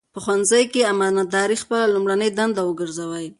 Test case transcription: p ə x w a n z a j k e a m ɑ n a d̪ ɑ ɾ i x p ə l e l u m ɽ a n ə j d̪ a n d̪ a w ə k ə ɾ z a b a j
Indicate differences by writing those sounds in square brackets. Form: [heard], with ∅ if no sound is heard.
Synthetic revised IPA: p ə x w a n z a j k e a m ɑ n a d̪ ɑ ɾ i x p ə l [a] l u m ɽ a n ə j d̪ a n d̪ a w ə [ɡ] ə ɾ z a [w] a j